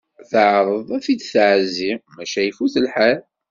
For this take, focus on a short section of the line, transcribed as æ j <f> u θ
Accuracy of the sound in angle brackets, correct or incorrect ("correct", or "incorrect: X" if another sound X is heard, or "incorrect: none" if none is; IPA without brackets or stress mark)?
correct